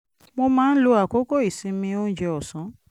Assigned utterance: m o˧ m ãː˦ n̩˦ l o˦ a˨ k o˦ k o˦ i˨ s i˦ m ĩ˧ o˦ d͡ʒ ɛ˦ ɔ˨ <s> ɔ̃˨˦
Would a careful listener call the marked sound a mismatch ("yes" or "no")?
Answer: no